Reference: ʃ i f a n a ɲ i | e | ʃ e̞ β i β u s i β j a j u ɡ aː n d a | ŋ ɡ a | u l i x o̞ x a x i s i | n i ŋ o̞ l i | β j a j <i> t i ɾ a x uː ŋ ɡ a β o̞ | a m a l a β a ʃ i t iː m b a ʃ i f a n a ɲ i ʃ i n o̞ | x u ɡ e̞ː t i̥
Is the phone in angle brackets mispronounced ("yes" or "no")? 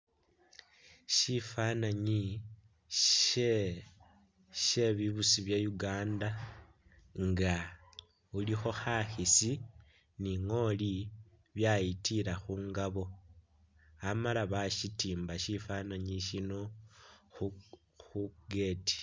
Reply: no